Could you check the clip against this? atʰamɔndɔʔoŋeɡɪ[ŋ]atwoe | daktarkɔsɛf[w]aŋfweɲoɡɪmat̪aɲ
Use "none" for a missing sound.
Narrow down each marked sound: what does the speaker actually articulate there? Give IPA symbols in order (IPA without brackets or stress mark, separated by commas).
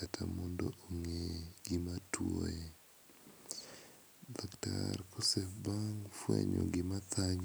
m, b